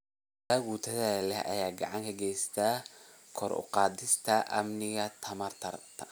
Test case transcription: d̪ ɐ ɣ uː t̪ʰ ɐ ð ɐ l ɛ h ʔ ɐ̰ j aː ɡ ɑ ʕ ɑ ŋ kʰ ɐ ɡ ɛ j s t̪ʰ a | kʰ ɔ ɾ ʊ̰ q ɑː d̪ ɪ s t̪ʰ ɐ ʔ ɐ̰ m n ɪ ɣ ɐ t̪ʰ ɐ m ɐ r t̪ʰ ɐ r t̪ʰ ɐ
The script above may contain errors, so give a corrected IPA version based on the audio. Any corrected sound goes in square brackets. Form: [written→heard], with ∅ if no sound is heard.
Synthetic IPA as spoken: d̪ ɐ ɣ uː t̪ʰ ɐ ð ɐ l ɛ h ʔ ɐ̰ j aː ɡ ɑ ʕ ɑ ŋ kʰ ɐ ɡ ɛ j s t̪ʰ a | kʰ ɔ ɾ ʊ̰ q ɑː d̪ ɪ s t̪ʰ ɐ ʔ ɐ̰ m n ɪ ɣ ɐ t̪ʰ ɐ m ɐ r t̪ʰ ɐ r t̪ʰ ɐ